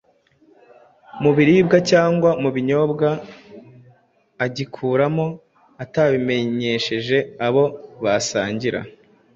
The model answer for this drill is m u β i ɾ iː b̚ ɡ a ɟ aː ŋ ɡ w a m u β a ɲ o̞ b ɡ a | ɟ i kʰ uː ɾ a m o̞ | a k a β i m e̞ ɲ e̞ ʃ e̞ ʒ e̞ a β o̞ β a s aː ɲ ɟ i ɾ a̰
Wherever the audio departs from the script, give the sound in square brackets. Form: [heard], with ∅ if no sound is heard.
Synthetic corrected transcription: m u β i ɾ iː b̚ ɡ a [c] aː ŋ ɡ w a m u β [i] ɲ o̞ b ɡ a | ɟ i kʰ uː ɾ a m o̞ | a [t] a β i m e̞ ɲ e̞ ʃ e̞ ʒ e̞ a β o̞ β a s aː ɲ ɟ i ɾ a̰